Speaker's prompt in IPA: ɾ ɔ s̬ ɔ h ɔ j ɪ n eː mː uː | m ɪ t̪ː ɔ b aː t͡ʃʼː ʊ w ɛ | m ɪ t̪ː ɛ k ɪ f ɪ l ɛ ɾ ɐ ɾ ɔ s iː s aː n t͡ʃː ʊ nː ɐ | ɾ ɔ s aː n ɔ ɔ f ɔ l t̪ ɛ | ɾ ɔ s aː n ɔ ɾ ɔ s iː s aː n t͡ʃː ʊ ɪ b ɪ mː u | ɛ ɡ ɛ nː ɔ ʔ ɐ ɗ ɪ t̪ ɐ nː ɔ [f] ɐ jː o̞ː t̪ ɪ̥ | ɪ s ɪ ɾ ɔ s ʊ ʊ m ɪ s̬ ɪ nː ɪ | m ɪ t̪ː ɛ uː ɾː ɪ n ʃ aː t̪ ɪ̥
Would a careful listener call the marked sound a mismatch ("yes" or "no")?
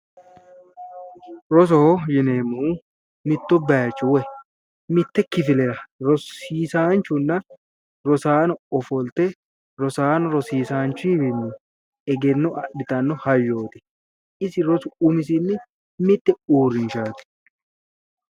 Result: yes